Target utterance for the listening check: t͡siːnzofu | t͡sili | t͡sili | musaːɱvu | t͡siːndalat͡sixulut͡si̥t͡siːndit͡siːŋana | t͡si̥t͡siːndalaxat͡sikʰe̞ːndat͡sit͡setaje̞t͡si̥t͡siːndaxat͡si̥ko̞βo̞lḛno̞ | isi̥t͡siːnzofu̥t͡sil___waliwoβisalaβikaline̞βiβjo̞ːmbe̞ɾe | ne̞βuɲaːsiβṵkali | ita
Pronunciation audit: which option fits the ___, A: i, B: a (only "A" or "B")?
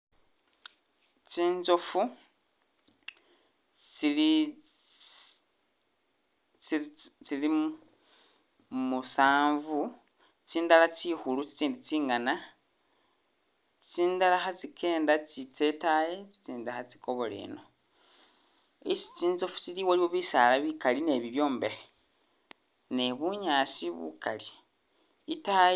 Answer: A